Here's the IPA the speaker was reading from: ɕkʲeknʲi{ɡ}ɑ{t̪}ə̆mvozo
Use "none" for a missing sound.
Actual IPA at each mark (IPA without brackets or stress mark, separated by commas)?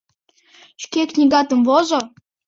ɡ, t̪